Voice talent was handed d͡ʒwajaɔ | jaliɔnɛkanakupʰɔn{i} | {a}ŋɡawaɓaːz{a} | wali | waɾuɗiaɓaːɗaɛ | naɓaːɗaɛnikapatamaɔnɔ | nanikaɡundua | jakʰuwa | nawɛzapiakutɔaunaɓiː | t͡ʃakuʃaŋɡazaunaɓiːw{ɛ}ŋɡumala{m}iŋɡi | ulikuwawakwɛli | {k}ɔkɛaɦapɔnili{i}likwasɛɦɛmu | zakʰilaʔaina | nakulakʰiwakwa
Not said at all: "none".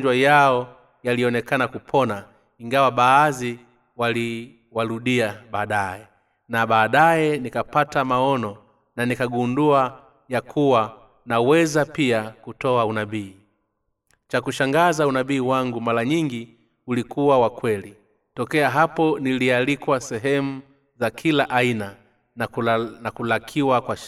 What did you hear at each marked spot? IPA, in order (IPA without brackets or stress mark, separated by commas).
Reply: a, i, i, a, ɲ, t, a